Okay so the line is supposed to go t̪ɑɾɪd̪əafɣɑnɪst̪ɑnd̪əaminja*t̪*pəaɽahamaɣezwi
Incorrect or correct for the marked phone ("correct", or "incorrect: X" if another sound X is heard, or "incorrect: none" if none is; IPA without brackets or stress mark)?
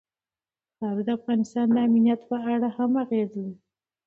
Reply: correct